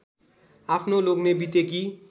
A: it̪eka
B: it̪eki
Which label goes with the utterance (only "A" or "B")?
B